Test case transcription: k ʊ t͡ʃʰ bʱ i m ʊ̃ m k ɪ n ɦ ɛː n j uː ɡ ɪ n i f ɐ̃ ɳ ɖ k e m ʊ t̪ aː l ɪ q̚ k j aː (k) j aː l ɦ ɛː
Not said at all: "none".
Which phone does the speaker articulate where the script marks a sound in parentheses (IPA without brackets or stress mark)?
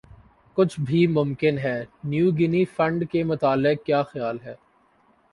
x